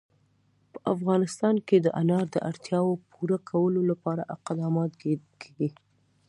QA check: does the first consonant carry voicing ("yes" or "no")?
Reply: no